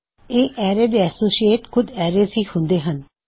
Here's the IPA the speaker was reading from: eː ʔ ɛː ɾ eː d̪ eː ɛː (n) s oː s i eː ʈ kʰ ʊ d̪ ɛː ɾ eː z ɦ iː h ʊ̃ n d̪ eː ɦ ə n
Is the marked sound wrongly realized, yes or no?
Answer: yes